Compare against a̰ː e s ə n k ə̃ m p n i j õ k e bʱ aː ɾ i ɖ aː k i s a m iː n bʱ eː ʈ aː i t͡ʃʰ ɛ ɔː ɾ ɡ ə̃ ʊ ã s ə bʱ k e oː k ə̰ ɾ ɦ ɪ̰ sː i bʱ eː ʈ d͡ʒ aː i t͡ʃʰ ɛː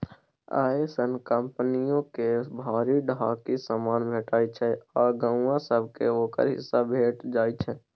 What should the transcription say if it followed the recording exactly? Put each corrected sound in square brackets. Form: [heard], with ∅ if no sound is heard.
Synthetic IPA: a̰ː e s ə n k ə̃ m p n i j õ k e bʱ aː ɾ i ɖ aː k i s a m [aː] n bʱ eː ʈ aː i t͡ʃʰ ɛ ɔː ɾ ɡ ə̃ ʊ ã s ə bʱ k e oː k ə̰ ɾ ɦ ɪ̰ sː [a] bʱ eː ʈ d͡ʒ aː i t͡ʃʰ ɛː